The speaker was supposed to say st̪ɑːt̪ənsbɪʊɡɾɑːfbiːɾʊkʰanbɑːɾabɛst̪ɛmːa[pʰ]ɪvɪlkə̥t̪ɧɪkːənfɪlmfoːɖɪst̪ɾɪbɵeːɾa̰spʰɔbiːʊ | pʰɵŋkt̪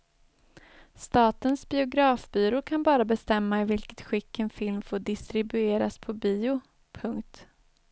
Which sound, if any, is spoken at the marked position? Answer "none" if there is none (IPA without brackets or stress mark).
none